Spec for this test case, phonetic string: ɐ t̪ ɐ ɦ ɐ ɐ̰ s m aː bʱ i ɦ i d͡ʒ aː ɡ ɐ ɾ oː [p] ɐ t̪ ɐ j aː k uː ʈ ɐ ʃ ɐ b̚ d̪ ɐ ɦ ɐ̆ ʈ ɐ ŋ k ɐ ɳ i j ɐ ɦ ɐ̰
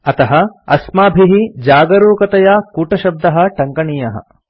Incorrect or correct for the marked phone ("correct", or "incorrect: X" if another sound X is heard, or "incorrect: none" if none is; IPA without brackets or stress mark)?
incorrect: k